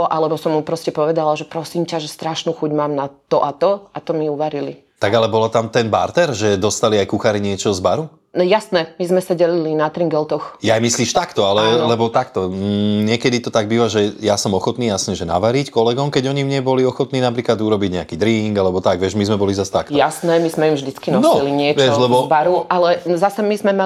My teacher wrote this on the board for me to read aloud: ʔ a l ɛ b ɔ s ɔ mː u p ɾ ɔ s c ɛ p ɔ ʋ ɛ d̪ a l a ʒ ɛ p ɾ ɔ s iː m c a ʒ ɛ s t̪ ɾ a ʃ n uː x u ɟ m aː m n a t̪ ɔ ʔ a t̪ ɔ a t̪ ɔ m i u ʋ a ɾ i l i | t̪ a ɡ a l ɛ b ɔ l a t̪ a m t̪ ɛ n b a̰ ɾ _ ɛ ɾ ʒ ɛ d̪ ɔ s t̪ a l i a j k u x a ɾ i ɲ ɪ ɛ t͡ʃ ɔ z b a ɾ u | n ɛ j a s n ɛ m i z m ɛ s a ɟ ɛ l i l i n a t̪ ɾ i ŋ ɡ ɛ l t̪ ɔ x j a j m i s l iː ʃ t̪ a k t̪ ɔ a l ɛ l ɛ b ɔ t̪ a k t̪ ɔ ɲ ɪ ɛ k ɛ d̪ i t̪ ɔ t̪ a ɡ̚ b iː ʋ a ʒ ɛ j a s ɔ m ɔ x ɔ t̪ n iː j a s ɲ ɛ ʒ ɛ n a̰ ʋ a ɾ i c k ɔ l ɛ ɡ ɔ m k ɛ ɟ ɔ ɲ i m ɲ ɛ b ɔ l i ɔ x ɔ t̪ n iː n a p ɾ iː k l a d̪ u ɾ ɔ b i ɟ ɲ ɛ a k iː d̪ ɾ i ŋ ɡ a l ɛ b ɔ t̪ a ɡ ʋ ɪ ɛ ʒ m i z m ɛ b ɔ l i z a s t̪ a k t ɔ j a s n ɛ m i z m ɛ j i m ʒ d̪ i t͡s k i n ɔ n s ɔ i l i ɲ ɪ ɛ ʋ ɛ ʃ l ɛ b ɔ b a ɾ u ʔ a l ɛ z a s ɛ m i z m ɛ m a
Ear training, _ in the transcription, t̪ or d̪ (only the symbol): t̪